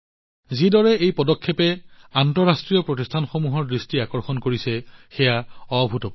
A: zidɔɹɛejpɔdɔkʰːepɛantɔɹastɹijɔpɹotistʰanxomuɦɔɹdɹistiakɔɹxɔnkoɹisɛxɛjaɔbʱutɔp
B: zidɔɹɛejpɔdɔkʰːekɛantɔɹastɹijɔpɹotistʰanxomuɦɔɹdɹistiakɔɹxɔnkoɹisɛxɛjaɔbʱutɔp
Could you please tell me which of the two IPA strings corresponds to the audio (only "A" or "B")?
A